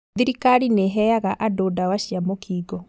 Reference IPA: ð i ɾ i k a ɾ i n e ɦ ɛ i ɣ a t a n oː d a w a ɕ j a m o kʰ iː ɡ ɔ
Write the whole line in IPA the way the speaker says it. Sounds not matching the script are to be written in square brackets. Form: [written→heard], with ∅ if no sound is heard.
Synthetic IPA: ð i ɾ i k a ɾ i n e ɦ ɛ [i→a] ɣ a [t→ʔ] a [n→d] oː d a w a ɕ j a m o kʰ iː ɡ ɔ